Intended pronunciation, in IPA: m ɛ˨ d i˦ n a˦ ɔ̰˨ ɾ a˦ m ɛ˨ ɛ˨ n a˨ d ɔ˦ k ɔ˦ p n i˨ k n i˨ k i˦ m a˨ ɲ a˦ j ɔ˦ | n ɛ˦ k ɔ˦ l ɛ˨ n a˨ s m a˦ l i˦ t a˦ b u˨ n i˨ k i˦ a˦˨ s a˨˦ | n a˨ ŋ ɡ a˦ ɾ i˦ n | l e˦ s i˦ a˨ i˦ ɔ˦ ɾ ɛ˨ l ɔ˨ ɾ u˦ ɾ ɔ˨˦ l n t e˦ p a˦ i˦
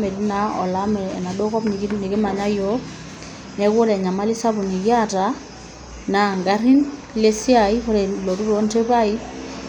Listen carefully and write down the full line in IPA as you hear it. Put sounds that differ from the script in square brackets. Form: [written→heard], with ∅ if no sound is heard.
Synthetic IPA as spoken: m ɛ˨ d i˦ n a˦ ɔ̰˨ [ɾ→l] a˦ m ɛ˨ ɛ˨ n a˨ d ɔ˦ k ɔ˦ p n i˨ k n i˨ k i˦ m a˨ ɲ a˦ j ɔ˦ | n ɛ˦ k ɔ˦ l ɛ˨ [n→ɲ] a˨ [s→∅] m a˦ l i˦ [t→s] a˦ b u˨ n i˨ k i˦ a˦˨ [s→t] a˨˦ | n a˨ ŋ ɡ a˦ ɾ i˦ n | l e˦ s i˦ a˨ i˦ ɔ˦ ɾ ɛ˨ l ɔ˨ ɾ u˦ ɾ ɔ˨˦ [l→∅] n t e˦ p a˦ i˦